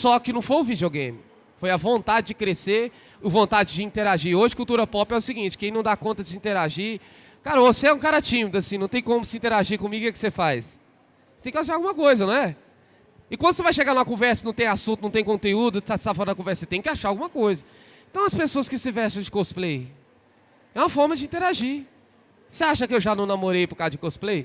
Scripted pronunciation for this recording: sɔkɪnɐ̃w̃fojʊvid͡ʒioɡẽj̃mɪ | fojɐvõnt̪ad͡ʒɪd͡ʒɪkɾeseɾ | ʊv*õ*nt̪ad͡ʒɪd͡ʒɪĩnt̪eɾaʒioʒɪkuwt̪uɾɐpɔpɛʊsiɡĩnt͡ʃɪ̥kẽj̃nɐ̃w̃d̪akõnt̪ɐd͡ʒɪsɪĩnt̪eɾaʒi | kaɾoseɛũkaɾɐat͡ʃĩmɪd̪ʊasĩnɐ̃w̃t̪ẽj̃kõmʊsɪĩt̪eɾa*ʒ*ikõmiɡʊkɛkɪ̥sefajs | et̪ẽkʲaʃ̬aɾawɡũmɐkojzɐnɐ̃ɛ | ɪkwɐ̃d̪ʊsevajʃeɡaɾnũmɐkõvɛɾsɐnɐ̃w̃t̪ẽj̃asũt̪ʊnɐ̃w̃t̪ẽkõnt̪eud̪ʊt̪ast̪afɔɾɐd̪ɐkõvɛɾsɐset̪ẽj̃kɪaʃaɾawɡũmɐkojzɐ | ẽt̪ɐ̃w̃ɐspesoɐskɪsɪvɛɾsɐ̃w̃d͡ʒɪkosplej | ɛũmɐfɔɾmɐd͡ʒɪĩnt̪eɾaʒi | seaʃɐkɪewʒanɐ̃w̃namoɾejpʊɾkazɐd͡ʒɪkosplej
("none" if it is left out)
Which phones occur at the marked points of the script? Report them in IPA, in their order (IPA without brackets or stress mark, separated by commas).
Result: õ, ʒ